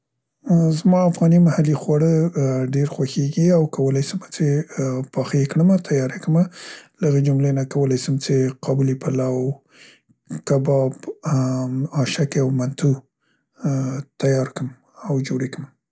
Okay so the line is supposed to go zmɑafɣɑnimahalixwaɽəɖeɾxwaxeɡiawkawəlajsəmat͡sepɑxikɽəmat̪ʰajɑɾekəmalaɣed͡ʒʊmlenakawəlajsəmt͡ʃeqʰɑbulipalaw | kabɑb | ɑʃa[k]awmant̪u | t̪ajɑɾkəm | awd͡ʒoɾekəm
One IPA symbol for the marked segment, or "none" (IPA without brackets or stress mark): k